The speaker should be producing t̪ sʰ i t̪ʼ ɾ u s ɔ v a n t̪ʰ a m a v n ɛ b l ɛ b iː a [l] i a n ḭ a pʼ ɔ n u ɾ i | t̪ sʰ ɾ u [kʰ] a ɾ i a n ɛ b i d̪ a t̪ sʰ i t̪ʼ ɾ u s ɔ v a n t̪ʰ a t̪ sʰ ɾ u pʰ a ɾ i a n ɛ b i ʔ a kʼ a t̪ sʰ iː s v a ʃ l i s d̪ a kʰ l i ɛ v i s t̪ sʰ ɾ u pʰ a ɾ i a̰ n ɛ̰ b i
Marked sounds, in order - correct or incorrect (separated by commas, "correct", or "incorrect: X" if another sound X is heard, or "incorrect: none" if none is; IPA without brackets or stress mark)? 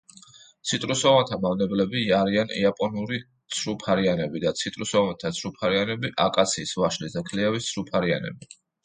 incorrect: ɾ, incorrect: pʰ